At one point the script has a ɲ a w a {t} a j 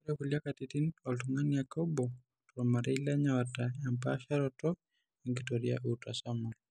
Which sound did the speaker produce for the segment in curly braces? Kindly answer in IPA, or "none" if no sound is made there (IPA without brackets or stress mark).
t